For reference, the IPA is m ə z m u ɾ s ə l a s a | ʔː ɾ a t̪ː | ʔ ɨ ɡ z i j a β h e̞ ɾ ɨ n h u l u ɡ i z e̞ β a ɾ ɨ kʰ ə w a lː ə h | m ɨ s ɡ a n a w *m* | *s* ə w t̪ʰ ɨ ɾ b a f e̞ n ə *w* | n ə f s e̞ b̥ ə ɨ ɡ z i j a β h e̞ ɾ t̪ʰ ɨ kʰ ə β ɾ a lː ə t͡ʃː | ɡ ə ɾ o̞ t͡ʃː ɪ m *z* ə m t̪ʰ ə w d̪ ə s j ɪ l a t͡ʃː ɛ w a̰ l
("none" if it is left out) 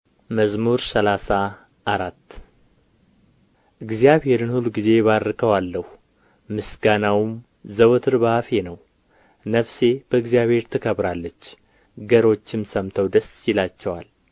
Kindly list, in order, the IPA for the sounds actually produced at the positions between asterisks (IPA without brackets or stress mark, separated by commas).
m, z, w, s